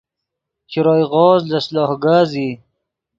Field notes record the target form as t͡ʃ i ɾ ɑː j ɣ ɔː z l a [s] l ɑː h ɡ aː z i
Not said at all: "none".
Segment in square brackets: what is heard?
s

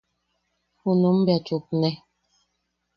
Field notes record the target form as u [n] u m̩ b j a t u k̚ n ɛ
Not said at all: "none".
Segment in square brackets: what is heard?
n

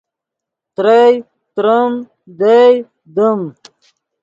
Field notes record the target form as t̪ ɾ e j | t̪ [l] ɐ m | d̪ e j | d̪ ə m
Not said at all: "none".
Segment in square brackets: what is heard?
ɾ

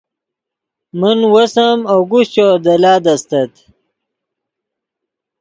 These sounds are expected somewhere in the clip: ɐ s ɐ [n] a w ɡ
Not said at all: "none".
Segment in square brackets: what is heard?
m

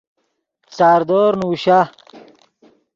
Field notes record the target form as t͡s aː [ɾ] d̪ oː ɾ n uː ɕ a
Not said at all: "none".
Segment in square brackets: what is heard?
ɾ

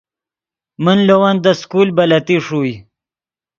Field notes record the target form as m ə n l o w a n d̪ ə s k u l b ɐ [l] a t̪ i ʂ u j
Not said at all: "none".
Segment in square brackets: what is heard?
l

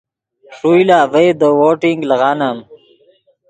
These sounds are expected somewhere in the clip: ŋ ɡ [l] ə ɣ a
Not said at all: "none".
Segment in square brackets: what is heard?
l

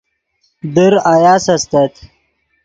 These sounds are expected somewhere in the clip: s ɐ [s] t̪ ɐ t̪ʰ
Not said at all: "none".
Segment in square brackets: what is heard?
s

